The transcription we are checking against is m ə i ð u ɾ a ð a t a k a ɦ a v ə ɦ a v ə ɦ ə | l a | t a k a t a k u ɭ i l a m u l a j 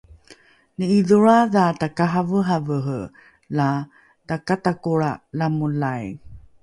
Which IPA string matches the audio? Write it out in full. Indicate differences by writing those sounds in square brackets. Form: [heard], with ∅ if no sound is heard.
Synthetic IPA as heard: [n] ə i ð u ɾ a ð a t a k a ɦ a v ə ɦ a v ə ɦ ə | l a | t a k a t a k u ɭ [a] l a m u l a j